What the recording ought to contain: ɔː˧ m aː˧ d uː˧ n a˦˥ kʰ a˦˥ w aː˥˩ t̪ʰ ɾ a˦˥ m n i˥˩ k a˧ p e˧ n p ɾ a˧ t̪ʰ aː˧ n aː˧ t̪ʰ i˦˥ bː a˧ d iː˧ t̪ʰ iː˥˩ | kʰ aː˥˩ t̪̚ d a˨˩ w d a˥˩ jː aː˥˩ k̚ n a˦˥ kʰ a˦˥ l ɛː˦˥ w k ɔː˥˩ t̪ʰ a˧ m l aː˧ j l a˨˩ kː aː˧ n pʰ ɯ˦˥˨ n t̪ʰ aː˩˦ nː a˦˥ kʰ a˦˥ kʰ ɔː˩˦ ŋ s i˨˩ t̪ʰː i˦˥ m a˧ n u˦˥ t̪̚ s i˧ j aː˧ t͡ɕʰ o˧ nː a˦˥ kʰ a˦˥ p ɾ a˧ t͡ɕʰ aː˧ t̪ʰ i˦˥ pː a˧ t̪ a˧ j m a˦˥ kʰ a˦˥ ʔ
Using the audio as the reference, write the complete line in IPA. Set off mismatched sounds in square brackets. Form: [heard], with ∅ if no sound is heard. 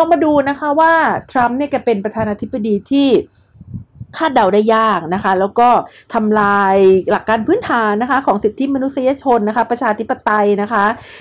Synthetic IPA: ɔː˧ m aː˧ d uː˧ n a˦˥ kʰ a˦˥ w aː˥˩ t̪ʰ ɾ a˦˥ m n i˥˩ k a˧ p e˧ n p ɾ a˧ t̪ʰ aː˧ n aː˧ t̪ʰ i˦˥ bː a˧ d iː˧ t̪ʰ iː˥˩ | kʰ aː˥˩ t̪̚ d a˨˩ w d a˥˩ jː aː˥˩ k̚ n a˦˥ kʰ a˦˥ l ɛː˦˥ w k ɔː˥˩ t̪ʰ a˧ m l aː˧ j l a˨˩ kː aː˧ n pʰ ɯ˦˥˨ n t̪ʰ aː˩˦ nː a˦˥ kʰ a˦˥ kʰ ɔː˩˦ ŋ s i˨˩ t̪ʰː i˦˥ m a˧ n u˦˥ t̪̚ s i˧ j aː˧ t͡ɕʰ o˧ nː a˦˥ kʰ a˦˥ p ɾ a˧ t͡ɕʰ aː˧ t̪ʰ i˦˥ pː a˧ t̪ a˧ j [n] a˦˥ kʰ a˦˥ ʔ